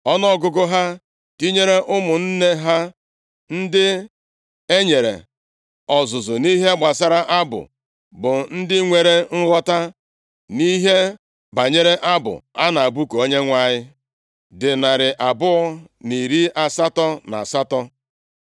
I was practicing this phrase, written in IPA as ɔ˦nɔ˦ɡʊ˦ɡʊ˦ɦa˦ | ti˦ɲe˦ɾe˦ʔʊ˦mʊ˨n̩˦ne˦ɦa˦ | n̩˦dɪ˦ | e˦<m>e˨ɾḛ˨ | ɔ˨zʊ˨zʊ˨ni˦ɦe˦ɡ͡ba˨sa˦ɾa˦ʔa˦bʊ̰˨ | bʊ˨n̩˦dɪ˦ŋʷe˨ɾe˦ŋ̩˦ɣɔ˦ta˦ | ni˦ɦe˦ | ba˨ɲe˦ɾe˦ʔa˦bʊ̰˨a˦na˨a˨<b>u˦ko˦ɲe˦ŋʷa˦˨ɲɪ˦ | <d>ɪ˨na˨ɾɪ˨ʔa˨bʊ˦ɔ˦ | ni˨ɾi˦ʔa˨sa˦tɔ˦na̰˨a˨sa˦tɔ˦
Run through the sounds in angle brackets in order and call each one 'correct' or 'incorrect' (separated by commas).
incorrect, correct, correct